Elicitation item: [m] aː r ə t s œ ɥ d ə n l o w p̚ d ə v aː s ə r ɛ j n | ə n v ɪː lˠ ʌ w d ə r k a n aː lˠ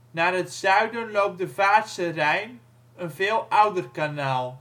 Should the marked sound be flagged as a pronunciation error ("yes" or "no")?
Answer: yes